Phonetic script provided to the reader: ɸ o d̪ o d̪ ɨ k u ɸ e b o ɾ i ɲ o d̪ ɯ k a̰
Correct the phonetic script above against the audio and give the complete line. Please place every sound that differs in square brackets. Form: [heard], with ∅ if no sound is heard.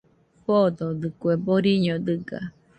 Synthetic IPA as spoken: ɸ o d̪ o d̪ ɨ k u [∅] e b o ɾ i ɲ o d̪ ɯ [ɡ] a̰